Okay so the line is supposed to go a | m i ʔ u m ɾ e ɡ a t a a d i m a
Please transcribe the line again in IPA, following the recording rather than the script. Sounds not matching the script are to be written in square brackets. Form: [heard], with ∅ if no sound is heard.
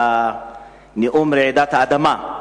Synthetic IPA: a | [n] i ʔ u m ɾ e [d] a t a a d [a] m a